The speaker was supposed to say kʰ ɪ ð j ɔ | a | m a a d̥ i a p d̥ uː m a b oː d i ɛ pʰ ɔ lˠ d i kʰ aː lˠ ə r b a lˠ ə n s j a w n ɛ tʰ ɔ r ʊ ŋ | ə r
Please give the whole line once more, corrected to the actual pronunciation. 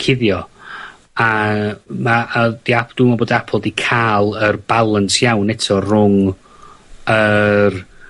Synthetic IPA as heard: kʰ ɪ ð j ɔ | a | m a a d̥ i a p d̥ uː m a b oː d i a pʰ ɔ lˠ d i kʰ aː lˠ ə r b a lˠ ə n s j a w n ɛ tʰ ɔ r ʊ ŋ | ə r